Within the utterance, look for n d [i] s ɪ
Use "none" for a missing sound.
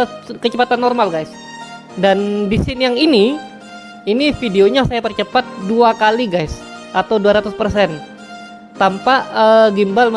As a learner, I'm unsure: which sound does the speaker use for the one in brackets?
i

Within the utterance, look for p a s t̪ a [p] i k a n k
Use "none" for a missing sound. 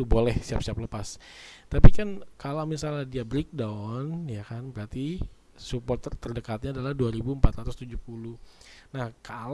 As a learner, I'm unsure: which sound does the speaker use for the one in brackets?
p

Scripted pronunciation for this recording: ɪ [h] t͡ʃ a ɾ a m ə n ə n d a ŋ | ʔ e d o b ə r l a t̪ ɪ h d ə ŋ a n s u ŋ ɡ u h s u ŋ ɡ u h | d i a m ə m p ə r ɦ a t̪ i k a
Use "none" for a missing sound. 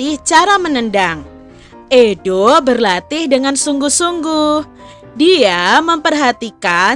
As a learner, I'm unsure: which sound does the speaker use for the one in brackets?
h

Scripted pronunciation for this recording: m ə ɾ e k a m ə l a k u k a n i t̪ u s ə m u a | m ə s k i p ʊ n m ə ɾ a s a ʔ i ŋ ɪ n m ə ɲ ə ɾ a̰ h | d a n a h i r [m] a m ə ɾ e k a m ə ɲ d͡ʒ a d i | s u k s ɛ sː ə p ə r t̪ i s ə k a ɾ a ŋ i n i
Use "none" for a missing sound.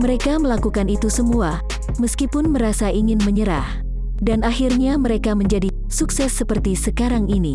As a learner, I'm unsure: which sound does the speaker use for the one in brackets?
ɲ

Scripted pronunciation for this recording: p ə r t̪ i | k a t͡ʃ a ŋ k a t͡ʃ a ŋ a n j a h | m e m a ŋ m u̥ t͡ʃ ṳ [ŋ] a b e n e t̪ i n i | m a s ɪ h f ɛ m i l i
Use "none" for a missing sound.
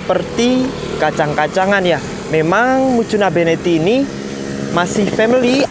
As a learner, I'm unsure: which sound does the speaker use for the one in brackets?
n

